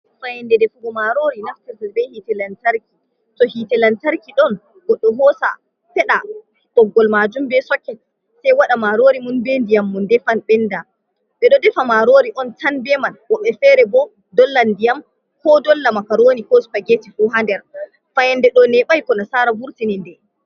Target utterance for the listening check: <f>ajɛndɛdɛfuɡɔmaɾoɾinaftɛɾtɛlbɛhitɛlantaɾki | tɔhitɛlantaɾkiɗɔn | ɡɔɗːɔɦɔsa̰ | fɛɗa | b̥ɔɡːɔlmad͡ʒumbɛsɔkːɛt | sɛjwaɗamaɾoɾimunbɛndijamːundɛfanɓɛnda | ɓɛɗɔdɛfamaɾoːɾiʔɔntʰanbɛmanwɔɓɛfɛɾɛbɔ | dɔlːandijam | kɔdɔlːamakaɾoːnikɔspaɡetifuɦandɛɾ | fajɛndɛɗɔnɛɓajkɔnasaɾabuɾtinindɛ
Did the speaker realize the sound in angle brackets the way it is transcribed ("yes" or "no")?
yes